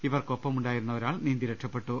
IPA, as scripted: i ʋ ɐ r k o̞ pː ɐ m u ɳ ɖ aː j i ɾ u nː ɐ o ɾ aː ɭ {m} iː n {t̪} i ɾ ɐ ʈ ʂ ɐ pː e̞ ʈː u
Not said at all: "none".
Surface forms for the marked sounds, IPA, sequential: n, d̪

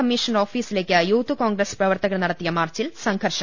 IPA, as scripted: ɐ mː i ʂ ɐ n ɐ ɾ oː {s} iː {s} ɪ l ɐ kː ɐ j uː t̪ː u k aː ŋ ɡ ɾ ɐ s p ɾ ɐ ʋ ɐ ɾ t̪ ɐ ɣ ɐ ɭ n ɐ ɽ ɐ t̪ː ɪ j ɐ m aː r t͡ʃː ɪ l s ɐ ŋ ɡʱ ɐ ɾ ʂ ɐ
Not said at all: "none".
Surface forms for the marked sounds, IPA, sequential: f, s

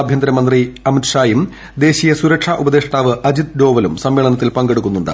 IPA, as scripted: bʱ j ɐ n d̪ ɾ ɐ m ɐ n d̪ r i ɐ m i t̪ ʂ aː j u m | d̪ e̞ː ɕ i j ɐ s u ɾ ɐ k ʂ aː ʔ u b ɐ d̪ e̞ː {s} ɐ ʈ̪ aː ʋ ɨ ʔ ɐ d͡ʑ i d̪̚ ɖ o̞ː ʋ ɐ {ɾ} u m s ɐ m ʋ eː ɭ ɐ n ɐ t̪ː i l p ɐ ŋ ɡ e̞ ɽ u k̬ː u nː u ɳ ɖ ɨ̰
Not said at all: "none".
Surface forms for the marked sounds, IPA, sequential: ʂ, l

